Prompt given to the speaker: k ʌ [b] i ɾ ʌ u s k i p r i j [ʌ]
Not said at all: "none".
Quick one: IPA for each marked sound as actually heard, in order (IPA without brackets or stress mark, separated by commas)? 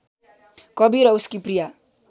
b, a